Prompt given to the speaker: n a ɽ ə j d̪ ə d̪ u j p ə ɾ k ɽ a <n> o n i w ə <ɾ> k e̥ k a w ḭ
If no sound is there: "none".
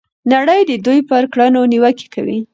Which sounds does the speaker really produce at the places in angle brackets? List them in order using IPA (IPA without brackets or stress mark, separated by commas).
n, none